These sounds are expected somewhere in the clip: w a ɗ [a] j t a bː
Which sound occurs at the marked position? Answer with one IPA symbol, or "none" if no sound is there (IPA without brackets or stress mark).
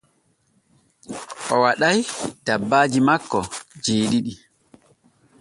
a